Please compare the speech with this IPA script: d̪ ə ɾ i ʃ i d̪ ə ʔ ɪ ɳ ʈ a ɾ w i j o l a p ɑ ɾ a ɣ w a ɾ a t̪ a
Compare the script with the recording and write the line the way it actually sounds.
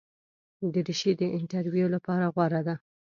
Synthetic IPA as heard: d̪ ə ɾ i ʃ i d̪ ə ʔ ɪ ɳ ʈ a ɾ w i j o l a p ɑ ɾ a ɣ w a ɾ a d̪ a